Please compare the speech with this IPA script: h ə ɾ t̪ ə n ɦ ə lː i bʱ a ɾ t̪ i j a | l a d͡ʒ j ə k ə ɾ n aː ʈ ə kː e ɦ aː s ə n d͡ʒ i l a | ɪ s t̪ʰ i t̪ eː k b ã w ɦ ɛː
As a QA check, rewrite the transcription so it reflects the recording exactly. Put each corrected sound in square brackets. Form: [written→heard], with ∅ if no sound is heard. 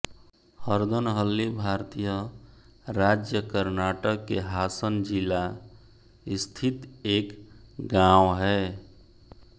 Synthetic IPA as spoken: h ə ɾ [t̪→d̪] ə n ɦ ə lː i bʱ a ɾ t̪ i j [a→ə] | [l→ɾ] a d͡ʒ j ə k ə ɾ n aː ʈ ə kː e ɦ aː s ə n d͡ʒ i l a | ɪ s t̪ʰ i t̪ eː k [b→ɡ] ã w ɦ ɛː

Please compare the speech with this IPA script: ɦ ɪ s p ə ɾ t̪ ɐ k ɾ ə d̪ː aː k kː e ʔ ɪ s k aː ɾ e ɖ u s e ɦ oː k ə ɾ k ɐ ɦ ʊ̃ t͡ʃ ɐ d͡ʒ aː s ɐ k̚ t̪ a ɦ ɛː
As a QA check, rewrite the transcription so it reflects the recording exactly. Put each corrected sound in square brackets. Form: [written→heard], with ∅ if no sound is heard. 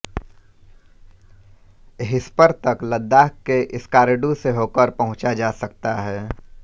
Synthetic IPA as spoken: ɦ ɪ s p ə ɾ t̪ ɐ k [ɾ→l] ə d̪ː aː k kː e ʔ ɪ s k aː ɾ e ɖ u s e ɦ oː k ə ɾ [k→p] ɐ ɦ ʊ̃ t͡ʃ [ɐ→a] d͡ʒ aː s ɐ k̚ t̪ a ɦ ɛː

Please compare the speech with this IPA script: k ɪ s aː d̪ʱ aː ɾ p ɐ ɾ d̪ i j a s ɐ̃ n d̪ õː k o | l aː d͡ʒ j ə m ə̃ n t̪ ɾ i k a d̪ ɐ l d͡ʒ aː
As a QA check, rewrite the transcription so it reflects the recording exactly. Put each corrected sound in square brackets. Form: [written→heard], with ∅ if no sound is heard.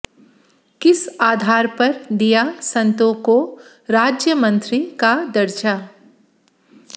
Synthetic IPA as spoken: k ɪ s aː d̪ʱ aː ɾ p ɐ ɾ d̪ i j a s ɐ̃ n [d̪→t̪] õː k o | [l→ɾ] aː d͡ʒ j ə m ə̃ n t̪ ɾ i k a d̪ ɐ [l→ɾ] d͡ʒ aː

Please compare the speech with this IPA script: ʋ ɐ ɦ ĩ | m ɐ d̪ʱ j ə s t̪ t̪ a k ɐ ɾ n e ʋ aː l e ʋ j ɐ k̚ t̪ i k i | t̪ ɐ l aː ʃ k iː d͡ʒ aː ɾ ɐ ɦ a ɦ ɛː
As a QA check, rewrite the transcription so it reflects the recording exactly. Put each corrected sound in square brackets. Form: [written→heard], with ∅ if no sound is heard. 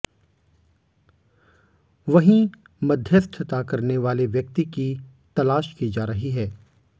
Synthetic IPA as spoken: ʋ ɐ ɦ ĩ | m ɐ d̪ʱ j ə s [t̪→t̪ʰ] t̪ a k ɐ ɾ n e ʋ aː l e ʋ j ɐ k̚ t̪ i k i | t̪ ɐ l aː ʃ k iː d͡ʒ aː ɾ ɐ ɦ [a→i] ɦ ɛː

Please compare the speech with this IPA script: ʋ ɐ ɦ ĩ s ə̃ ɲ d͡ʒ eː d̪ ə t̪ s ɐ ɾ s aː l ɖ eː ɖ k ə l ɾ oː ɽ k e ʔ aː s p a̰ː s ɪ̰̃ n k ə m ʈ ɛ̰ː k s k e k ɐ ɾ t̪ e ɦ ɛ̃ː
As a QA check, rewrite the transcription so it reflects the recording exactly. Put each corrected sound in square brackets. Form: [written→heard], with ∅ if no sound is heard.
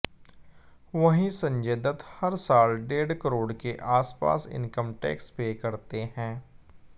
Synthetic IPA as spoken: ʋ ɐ ɦ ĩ s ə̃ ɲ d͡ʒ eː d̪ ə t̪ [s→h] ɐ ɾ s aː l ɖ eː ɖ k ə [l→∅] ɾ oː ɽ k e ʔ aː s p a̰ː s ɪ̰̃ n k ə m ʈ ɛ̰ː k s [k→p] e k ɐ ɾ t̪ e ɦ ɛ̃ː

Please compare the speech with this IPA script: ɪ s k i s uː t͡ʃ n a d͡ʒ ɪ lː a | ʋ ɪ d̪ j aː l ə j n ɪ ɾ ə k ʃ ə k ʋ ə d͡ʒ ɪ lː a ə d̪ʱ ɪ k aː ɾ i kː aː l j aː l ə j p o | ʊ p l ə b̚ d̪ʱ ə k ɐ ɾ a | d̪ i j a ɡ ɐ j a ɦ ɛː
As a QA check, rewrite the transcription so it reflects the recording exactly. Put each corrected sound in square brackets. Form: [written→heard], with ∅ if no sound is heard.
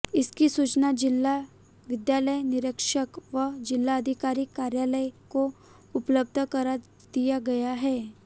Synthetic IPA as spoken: ɪ s k i s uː t͡ʃ n a d͡ʒ ɪ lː a | ʋ ɪ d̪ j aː l ə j n ɪ ɾ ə k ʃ ə k ʋ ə d͡ʒ ɪ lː a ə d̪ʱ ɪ k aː ɾ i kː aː [l→ɾ] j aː l ə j [p→k] o | ʊ p l ə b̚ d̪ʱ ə k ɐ ɾ a | d̪ i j a ɡ ɐ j a ɦ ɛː

